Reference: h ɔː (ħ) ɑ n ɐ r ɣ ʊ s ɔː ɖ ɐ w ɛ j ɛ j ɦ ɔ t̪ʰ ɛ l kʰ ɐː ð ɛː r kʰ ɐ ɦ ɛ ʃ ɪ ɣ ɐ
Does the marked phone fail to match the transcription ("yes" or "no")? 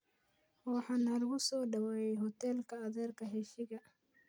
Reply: no